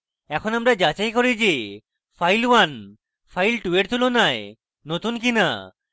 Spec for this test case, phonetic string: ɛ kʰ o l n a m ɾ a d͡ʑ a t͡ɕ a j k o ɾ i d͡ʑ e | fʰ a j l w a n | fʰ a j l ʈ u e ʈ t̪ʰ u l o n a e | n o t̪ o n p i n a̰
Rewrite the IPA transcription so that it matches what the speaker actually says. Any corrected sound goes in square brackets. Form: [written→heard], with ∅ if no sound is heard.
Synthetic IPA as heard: ɛ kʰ o [l→∅] n a m ɾ a d͡ʑ a t͡ɕ a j k o ɾ i d͡ʑ e | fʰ a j l w a n | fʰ a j l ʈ u e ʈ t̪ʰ u l o n a e | n o t̪ [o→u] n [p→k] i n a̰